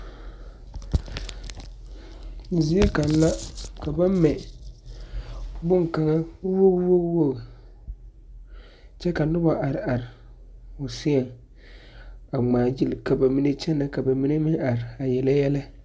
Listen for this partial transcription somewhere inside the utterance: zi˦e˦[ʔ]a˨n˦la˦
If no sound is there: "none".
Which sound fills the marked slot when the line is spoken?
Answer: k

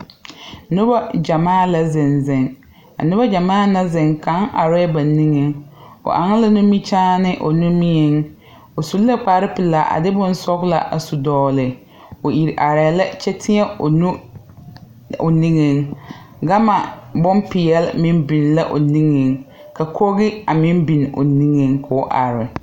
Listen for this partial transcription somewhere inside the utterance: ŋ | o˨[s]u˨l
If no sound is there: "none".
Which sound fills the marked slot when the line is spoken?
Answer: s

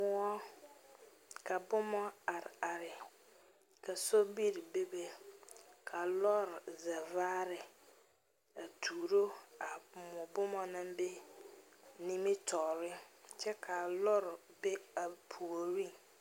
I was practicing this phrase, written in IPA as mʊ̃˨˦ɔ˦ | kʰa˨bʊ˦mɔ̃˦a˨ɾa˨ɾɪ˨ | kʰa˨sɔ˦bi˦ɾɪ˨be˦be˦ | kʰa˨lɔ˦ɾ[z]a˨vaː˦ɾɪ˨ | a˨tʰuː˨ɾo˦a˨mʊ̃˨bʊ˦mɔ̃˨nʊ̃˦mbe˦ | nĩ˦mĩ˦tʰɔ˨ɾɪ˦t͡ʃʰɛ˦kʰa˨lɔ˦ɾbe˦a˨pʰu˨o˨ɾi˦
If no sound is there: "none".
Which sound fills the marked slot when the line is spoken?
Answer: z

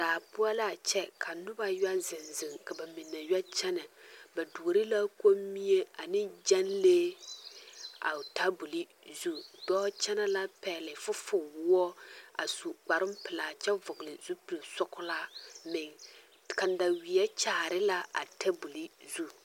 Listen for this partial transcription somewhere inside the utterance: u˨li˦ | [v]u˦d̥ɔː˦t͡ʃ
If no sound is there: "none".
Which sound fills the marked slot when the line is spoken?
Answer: z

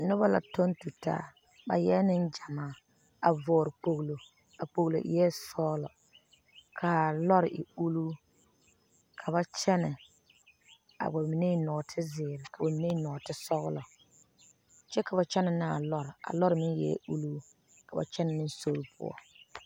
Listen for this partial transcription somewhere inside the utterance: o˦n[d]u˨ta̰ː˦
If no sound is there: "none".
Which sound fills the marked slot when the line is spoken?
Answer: t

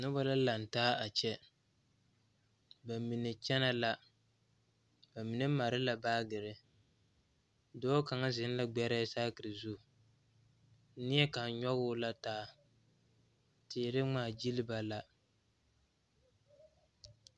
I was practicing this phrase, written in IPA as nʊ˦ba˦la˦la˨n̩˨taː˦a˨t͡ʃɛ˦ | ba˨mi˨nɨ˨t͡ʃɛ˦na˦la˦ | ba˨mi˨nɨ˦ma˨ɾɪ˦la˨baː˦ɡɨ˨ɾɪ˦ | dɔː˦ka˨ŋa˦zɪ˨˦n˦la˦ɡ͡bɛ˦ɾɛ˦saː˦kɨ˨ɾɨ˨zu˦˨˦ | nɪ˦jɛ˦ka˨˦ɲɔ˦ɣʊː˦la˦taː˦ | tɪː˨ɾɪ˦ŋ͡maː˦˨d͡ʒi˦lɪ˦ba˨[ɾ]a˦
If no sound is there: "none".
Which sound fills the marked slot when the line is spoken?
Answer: l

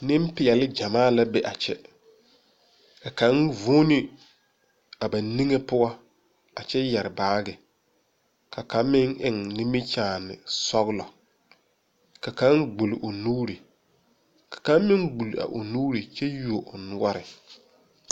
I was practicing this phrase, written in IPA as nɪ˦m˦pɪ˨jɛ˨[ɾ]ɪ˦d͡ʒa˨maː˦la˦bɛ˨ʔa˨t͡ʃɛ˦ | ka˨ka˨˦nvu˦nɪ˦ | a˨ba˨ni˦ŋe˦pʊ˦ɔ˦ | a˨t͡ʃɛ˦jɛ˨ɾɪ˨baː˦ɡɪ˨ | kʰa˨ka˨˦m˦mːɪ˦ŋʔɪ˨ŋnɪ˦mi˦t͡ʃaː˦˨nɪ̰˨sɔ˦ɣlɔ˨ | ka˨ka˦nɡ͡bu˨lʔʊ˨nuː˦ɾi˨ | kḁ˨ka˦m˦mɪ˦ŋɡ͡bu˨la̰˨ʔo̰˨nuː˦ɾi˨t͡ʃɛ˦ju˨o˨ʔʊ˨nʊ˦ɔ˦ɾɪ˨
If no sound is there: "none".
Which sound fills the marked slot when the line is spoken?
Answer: l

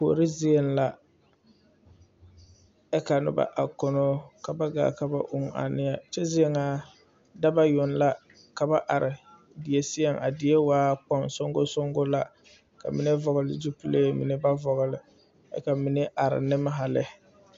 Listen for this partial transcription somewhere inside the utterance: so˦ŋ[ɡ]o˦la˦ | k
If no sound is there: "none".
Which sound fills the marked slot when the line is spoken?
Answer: ɡ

